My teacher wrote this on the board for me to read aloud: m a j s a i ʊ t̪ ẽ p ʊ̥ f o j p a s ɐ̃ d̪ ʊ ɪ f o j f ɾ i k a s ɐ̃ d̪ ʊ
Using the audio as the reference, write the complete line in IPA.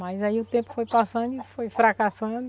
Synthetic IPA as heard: m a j z a i ʊ t̪ ẽ p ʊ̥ f o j p a s ɐ̃ d̪ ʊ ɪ f o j f ɾ a k a s ɐ̃ d̪ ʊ